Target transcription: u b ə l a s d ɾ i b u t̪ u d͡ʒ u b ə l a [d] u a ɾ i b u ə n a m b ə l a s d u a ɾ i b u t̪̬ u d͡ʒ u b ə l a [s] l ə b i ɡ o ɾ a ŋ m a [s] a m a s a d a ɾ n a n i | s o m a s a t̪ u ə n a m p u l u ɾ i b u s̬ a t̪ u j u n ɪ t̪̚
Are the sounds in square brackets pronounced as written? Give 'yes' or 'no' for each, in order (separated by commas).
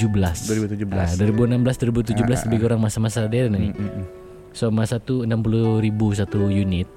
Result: yes, yes, yes